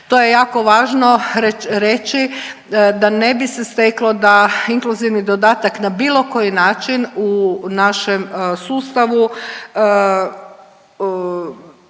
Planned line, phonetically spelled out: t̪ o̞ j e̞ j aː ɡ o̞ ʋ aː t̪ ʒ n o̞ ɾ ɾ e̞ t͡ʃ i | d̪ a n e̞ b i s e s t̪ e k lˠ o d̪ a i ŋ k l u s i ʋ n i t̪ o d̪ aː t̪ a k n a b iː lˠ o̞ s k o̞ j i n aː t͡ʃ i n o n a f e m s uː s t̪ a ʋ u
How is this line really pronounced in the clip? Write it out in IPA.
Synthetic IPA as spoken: t̪ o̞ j e̞ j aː k o̞ ʋ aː ʒ n o̞ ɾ ɾ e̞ t͡ʃ i | d̪ a n e̞ b i s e s t̪ e k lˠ o d̪ a i ŋ k l u z i ʋ n i d̪ o d̪ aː t̪ a k n a b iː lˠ o̞ k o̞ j i n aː t͡ʃ i n u n a ʃ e m s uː s t̪ a ʋ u